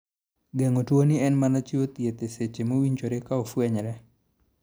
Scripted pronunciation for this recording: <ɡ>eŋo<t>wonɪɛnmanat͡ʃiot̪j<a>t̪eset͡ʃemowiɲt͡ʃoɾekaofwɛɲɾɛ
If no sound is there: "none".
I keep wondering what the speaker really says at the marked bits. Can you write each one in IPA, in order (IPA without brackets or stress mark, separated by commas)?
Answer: ɡ, t, e